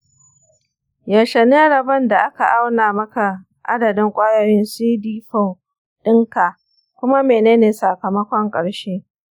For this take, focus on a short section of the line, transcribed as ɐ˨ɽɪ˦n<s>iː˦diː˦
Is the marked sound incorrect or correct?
correct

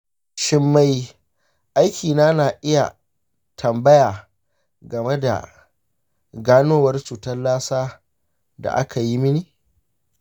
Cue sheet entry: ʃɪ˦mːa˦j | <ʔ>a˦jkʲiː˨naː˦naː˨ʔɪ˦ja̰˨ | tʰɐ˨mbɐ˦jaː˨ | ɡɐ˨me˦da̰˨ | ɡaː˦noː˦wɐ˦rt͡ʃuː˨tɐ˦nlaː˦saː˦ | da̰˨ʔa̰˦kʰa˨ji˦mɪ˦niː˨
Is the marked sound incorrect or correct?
correct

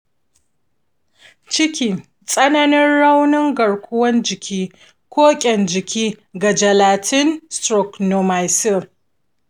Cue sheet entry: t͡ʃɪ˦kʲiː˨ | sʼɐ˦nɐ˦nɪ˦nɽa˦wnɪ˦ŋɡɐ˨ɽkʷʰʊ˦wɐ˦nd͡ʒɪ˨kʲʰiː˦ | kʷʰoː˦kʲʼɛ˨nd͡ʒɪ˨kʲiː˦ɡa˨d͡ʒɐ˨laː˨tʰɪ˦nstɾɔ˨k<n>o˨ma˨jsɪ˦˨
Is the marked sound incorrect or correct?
correct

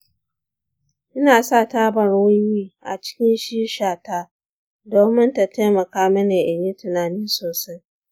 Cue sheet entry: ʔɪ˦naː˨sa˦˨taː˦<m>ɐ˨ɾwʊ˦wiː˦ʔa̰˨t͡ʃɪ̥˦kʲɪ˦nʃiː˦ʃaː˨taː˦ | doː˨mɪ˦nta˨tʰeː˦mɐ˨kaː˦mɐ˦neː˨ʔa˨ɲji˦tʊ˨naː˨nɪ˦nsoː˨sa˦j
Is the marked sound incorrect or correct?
incorrect: b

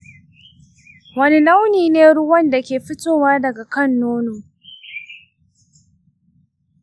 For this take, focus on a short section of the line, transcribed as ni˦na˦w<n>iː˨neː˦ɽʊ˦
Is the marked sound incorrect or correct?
correct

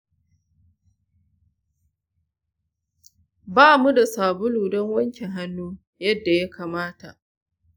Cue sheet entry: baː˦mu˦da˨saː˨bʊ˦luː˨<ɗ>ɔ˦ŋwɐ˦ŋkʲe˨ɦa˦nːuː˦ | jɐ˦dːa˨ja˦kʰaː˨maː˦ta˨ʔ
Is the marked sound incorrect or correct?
incorrect: d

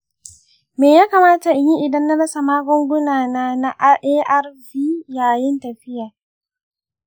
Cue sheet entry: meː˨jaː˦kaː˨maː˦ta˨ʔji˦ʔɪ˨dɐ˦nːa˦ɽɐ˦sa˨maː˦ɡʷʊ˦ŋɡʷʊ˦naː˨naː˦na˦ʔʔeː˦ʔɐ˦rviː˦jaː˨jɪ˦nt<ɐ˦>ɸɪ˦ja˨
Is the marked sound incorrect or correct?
incorrect: ɐ˨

